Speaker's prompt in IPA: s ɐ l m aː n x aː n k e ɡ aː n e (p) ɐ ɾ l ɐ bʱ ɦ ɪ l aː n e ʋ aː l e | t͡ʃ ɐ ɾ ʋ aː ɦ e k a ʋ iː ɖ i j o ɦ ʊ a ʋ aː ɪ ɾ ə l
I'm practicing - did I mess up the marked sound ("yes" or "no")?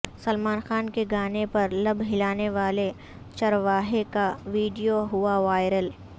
no